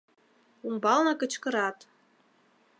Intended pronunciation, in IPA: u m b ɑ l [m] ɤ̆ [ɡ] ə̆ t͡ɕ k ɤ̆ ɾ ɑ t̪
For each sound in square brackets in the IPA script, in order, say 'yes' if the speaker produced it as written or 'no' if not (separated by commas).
no, no